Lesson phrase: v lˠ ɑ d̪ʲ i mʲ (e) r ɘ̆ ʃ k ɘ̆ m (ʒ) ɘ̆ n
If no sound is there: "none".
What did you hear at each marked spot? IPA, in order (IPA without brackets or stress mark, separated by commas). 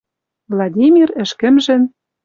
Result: i, ʒ